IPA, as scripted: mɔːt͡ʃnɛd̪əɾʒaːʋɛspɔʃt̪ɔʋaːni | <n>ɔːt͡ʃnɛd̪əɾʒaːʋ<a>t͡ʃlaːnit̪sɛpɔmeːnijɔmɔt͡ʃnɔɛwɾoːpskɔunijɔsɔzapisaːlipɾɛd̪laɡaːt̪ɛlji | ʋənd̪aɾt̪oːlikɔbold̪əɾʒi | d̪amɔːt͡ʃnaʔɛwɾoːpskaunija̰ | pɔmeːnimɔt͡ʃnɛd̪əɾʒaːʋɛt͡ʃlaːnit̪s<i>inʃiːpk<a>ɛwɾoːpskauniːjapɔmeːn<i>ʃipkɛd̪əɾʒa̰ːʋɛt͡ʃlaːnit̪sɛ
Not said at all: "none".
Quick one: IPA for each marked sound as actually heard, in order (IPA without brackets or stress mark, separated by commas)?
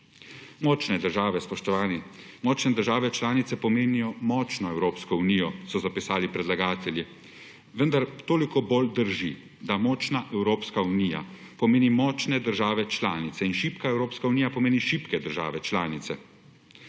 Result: m, ɛ, ɛ, a, i